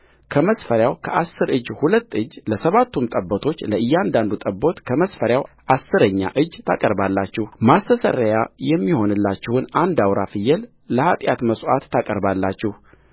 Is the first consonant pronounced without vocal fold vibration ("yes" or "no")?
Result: yes